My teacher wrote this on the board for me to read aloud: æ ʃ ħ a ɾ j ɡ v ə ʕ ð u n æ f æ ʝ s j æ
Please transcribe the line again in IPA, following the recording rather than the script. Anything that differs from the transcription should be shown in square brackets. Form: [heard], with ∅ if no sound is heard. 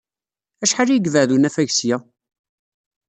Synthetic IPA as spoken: æ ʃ ħ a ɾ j ɡ v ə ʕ ð u n æ f æ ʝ s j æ